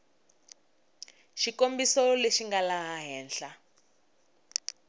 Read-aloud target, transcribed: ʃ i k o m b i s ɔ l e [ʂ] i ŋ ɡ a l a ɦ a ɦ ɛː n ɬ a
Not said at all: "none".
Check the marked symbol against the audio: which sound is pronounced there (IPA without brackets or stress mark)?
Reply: ʃ